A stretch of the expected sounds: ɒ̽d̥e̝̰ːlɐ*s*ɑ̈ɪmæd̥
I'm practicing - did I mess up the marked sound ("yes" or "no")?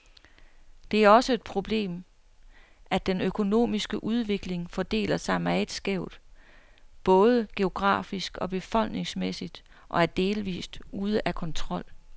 no